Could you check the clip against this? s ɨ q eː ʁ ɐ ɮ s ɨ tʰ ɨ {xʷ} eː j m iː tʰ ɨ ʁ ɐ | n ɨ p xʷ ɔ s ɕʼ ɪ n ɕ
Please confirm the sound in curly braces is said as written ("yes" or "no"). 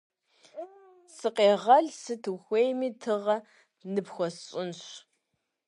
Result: yes